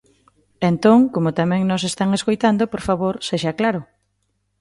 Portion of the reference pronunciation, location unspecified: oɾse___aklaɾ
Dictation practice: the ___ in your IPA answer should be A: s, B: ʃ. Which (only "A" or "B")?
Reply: B